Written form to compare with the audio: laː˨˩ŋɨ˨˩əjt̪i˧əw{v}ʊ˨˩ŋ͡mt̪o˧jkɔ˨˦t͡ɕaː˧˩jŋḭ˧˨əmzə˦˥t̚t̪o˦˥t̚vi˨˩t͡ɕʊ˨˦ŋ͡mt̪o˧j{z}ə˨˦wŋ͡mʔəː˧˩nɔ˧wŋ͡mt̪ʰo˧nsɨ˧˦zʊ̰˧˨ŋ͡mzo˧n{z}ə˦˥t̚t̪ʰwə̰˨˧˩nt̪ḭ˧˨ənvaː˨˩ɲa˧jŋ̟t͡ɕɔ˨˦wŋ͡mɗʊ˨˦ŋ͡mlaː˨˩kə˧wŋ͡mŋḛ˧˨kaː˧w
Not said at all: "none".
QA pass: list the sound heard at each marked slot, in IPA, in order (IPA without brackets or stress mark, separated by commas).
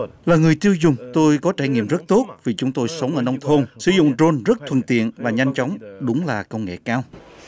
z, s, z